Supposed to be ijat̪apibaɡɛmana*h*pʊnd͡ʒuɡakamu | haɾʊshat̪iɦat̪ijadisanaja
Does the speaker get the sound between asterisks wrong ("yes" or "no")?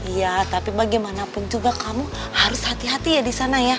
yes